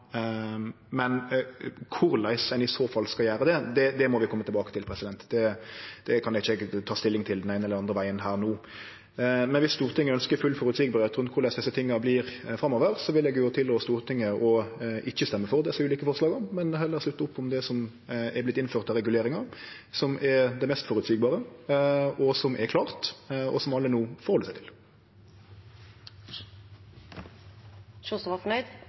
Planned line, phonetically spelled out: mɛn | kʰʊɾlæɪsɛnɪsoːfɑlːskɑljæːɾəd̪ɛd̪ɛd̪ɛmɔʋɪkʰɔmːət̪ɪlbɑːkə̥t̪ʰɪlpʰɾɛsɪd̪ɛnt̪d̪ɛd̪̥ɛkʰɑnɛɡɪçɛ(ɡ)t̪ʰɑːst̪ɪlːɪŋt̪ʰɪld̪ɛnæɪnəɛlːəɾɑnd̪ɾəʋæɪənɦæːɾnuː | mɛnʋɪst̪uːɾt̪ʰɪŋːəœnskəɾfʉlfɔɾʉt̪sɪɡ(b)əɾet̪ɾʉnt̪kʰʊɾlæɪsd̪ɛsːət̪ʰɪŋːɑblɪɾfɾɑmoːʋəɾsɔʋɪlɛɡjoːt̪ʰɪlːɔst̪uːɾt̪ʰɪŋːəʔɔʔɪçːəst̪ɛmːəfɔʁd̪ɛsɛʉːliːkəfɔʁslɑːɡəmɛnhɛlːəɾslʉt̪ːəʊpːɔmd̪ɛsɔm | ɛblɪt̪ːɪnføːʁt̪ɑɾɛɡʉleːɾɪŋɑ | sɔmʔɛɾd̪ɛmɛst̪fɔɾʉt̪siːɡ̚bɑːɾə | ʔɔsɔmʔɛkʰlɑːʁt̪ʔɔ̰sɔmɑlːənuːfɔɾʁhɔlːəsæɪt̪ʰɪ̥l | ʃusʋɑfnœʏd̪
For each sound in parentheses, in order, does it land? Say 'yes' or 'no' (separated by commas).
yes, yes